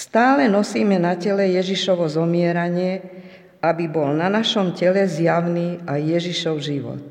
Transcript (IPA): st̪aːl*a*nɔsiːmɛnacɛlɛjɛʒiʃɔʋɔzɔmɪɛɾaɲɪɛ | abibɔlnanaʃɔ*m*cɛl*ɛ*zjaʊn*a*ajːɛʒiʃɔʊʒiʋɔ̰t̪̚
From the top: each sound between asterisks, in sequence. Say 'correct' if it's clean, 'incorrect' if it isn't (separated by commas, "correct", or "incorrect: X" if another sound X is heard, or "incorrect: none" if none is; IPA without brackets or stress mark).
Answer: incorrect: ɛ, correct, correct, incorrect: i